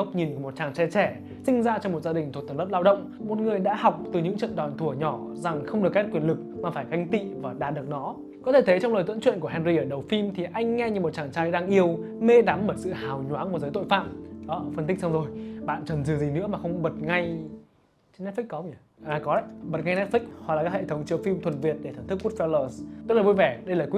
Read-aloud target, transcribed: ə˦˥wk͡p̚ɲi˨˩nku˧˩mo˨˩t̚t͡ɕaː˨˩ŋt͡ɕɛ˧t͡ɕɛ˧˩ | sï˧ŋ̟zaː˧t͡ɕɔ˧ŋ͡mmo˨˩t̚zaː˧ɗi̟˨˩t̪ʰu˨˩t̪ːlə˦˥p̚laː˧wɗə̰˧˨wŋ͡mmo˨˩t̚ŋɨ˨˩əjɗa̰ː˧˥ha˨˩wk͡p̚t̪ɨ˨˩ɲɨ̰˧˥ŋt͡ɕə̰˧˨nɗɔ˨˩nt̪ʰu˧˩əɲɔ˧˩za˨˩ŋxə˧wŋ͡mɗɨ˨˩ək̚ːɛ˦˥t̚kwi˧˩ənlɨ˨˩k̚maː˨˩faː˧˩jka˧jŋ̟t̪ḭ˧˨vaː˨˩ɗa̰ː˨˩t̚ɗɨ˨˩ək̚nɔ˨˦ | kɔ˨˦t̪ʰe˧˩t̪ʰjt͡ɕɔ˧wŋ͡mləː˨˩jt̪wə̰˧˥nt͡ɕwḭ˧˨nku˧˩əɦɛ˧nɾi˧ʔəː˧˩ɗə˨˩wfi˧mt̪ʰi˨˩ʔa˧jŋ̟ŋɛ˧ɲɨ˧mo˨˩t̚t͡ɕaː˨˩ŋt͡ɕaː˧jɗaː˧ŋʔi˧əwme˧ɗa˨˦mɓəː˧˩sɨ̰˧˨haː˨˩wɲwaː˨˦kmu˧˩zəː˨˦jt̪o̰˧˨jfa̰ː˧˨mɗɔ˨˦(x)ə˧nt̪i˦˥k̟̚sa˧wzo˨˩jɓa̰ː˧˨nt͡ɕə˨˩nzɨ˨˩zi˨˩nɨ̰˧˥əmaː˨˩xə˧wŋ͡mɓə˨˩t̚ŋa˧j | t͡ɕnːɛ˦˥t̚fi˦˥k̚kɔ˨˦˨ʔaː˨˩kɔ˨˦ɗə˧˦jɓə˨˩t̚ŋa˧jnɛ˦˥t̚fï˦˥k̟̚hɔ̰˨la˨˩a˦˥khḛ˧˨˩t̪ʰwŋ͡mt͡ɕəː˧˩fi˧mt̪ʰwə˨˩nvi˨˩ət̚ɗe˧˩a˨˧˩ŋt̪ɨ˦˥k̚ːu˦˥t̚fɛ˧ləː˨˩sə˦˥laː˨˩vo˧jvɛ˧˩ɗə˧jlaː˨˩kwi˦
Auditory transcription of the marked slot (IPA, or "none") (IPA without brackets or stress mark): f